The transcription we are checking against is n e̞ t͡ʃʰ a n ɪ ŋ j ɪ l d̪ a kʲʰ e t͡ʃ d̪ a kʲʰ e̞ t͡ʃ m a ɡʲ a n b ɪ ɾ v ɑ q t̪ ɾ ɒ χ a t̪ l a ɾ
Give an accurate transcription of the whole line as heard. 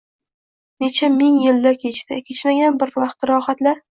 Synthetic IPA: n e̞ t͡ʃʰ a m ɪ ŋ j ɪ l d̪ a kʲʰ e t͡ʃ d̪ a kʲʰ e̞ t͡ʃ m a ɡʲ a n b ɪ ɾ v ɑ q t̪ ɾ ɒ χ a t̪ l a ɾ

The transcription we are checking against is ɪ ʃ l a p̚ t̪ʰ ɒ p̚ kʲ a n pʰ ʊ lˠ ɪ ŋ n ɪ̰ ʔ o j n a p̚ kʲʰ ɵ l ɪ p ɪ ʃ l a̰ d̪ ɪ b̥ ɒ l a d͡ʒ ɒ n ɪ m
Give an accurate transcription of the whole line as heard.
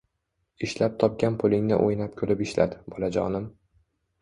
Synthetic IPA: ɪ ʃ l a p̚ t̪ʰ ɒ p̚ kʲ a n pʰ ʊ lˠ ɪ ŋ n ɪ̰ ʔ o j n a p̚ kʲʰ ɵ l ɪ p ɪ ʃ l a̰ d̪ ɪ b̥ ɒ l a d͡ʒ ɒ n ɪ m

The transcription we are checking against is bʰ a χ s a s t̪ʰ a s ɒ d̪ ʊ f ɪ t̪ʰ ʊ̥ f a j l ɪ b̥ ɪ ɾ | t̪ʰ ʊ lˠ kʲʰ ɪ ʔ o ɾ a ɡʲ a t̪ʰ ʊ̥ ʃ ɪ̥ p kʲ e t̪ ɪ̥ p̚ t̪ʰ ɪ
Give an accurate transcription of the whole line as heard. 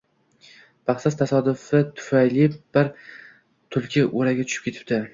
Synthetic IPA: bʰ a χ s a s t̪ʰ a s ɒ d̪ ʊ f ɪ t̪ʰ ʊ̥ f a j l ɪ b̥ ɪ ɾ | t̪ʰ ʊ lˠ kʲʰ ɪ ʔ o ɾ a ɡʲ a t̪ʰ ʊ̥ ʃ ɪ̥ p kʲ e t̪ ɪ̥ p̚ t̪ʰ ɪ

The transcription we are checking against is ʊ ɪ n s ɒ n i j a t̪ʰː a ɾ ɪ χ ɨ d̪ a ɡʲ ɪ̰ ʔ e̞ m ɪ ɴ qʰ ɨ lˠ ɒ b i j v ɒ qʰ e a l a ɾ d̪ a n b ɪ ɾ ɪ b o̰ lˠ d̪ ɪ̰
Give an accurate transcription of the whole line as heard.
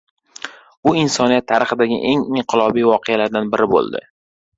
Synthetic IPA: ʊ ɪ n s ɒ n i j a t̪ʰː a ɾ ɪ χ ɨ d̪ a ɡʲ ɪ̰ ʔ e̞ ŋ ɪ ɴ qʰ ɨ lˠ ɒ b i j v ɒ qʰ e a l a ɾ d̪ a n b ɪ ɾ ɪ b o̰ lˠ d̪ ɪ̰

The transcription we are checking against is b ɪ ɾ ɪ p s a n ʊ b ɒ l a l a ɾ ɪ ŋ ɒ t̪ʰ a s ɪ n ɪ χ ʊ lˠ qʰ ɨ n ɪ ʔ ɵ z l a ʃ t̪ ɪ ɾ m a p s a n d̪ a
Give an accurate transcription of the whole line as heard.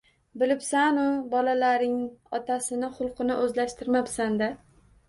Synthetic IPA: b ɪ l ɪ p s a n ʊ b ɒ l a l a ɾ ɪ ŋ ɒ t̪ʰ a s ɪ n ɪ χ ʊ lˠ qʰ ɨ n ɪ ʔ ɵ z l a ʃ t̪ ɪ ɾ m a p s a n d̪ a

